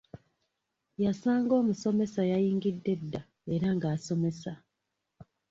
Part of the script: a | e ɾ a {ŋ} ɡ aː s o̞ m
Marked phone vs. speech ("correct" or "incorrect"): correct